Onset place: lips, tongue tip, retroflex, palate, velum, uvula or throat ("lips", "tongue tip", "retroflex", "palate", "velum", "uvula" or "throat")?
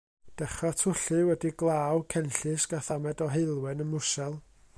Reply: tongue tip